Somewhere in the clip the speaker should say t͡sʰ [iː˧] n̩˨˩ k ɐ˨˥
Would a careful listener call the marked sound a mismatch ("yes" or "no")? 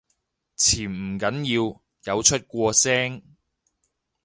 yes